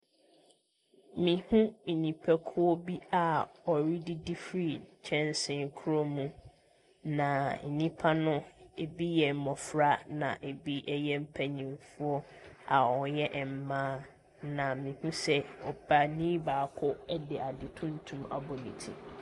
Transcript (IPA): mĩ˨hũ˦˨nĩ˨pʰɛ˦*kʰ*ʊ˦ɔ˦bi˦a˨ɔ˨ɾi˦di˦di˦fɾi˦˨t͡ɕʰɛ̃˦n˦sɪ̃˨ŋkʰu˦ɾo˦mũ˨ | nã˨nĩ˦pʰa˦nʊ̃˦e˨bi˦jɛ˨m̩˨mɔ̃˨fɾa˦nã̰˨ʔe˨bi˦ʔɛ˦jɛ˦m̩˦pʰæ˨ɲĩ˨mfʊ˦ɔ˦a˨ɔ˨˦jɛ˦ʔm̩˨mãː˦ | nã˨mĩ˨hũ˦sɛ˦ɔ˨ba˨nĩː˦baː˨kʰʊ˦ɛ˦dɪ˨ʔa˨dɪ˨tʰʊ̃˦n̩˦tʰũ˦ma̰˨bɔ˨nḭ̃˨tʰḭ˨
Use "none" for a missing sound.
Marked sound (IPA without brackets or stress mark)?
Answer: kʰ